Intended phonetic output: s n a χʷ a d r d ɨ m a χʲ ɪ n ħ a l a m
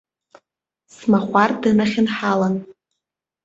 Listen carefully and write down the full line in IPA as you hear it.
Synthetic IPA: s m a χʷ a r d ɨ n a χʲ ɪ n ħ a l a n